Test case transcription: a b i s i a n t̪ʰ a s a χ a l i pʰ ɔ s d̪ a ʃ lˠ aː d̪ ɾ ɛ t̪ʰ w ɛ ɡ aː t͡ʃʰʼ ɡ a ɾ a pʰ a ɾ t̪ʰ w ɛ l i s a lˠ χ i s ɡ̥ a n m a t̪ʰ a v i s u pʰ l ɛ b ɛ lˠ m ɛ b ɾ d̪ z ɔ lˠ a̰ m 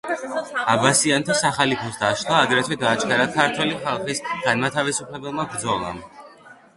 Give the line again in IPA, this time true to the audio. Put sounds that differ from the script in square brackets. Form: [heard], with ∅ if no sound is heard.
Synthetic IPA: a b [a] s i a n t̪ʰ a s a χ a l i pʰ ɔ s d̪ a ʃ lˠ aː d̪ ɾ ɛ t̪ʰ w ɛ ɡ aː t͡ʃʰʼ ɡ a ɾ a [kʰ] a ɾ t̪ʰ w ɛ l i [χ] a lˠ χ i s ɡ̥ a n m a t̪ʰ a v i s u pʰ l ɛ b ɛ lˠ m [a] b ɾ d̪ z ɔ lˠ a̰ m